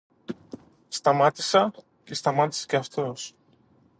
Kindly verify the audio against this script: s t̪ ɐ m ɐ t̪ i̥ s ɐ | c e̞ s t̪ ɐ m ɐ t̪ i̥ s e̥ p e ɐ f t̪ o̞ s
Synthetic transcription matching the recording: s t̪ ɐ m ɐ t̪ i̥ s ɐ | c e̞ s t̪ ɐ m ɐ t̪ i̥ s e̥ c e ɐ f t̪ o̞ s